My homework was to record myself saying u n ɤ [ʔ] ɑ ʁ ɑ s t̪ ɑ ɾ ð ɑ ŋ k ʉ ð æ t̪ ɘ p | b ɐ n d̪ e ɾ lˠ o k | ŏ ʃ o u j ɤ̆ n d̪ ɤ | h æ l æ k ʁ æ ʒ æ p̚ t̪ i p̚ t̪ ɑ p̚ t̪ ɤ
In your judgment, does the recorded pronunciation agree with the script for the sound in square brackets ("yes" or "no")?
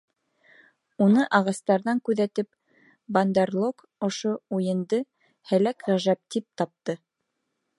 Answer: yes